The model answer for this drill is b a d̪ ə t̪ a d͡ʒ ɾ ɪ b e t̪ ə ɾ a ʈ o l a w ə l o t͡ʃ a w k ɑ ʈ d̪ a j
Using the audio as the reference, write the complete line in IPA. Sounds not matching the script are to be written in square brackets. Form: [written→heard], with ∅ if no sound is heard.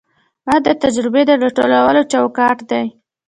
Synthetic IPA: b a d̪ ə t̪ a d͡ʒ ɾ ɪ b e [t̪→d̪] ə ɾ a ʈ o l a w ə l o t͡ʃ a w k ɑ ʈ d̪ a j